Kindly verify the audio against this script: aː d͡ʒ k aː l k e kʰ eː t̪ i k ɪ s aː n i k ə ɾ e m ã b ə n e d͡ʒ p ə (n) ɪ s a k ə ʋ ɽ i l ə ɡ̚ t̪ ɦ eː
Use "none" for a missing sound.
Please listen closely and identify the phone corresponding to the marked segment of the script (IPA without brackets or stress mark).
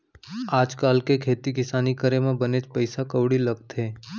none